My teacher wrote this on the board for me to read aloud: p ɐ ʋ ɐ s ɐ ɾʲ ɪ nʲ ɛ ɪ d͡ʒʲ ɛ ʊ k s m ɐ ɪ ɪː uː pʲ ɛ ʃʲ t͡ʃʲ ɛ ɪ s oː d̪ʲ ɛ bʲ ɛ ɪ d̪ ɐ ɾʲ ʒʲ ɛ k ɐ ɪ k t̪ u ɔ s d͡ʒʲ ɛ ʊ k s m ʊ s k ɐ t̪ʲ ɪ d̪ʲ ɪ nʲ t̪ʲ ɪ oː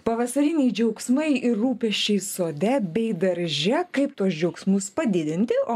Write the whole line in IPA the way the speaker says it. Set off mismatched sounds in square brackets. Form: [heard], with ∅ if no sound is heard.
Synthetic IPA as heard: p ɐ ʋ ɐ s ɐ ɾʲ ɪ nʲ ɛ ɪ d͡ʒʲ ɛ ʊ k s m ɐ ɪ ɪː uː pʲ ɛ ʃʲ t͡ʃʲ ɛ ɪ s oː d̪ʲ ɛ bʲ ɛ ɪ d̪ ɐ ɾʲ ʒʲ ɛ k ɐ ɪ [p] t̪ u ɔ s d͡ʒʲ ɛ ʊ k s m ʊ s [p] ɐ [d̪ʲ] ɪ d̪ʲ ɪ nʲ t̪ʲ ɪ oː